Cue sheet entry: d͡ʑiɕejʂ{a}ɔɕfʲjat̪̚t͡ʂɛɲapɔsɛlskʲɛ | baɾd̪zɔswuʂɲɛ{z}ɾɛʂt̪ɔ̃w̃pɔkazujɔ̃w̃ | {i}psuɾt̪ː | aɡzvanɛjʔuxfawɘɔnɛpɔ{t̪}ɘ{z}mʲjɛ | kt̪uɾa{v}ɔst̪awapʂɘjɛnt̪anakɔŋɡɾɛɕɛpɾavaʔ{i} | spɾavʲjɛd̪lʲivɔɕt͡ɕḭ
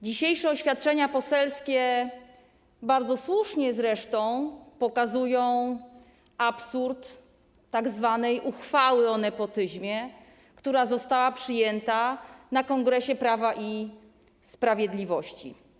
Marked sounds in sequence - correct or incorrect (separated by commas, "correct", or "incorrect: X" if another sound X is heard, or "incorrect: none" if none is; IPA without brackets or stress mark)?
incorrect: ɛ, correct, incorrect: a, correct, incorrect: ʑ, incorrect: z, correct